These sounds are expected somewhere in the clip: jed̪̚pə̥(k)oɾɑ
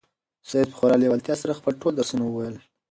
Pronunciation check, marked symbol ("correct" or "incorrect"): incorrect